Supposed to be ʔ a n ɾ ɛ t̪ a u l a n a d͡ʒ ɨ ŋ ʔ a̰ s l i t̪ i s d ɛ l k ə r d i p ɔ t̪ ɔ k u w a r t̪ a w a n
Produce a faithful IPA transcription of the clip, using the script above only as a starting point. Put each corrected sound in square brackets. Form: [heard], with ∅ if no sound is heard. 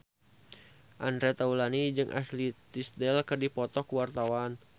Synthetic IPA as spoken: ʔ a n ɾ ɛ t̪ a u l a n [i] d͡ʒ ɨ ŋ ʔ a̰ s l i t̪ i s d ɛ l k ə r d i p ɔ t̪ ɔ k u w a r t̪ a w a n